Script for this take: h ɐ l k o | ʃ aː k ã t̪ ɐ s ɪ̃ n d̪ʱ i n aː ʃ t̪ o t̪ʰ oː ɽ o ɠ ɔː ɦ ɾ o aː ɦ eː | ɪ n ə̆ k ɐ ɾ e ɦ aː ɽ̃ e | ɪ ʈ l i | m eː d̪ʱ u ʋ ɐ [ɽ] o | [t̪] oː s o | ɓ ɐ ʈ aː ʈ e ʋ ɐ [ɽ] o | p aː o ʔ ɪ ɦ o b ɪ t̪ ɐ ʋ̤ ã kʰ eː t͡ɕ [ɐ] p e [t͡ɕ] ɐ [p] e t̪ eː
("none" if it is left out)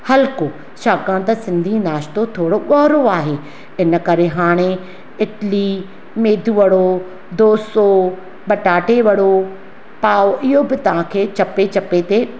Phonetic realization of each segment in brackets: ɽ, d̪, ɽ, ɐ, t͡ɕ, p

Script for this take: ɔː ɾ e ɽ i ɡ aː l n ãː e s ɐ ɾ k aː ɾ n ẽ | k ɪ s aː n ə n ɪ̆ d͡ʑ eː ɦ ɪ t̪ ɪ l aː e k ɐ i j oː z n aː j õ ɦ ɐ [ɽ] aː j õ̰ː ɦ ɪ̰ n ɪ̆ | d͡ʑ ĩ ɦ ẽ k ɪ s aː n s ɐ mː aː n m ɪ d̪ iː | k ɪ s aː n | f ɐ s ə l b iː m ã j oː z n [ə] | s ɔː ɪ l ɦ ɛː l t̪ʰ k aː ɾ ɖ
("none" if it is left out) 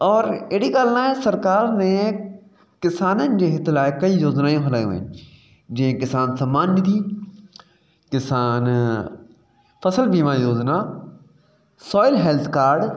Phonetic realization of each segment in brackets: l, a

